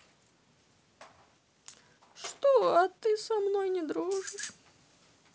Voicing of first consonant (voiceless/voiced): voiceless